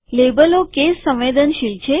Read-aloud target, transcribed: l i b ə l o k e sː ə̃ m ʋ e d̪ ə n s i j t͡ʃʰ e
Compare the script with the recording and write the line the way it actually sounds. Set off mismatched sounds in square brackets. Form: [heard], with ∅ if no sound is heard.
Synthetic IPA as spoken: l [e] b ə l o k e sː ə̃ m ʋ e d̪ ə n [ʃ] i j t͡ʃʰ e